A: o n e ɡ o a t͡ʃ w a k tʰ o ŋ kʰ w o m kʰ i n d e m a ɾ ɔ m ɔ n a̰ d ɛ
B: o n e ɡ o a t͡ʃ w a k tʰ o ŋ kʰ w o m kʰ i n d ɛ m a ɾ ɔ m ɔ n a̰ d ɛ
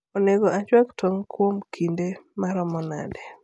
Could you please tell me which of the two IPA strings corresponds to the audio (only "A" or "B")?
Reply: A